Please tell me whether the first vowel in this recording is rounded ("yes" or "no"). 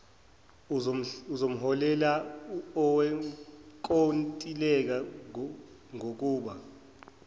yes